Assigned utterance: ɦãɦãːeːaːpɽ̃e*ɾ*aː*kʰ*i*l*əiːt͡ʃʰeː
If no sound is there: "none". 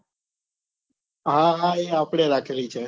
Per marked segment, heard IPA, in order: ɾ, kʰ, ɾ

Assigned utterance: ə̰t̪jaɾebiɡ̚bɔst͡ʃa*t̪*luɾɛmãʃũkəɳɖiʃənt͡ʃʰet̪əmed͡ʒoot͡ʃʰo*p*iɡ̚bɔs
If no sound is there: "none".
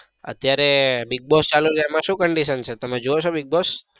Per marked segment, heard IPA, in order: none, b

